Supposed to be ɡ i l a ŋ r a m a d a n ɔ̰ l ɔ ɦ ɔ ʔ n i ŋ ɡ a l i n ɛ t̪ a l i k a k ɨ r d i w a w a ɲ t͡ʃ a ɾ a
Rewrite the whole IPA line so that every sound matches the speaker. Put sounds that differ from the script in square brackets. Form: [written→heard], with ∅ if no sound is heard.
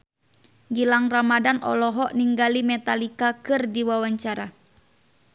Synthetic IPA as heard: ɡ i l a ŋ r a m a d a n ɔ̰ l ɔ ɦ ɔ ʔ n i ŋ ɡ a l i [n→m] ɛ t̪ a l i k a k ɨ r d i w a w a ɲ t͡ʃ a ɾ a